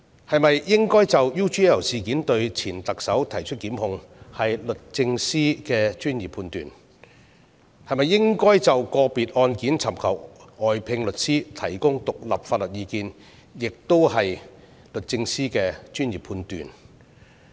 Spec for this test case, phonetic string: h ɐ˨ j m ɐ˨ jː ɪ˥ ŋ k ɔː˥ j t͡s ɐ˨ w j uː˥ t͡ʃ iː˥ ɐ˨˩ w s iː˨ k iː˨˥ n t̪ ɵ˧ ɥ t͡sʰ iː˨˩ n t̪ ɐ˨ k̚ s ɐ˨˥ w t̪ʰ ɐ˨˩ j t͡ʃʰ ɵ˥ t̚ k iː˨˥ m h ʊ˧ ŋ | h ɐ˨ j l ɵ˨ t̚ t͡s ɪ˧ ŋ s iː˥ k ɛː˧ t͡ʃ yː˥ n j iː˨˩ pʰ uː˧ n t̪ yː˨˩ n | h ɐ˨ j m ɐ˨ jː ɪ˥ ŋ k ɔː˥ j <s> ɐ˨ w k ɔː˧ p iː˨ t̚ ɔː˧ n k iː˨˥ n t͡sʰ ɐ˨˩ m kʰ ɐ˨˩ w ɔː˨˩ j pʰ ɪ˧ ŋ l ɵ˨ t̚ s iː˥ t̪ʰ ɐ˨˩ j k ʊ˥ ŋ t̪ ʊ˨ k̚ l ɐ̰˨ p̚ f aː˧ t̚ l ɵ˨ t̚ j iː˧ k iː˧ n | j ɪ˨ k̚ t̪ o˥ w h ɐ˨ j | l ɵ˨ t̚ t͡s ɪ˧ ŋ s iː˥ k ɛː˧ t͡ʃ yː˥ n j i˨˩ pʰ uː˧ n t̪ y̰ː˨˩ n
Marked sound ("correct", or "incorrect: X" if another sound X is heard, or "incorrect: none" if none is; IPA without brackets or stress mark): incorrect: t͡s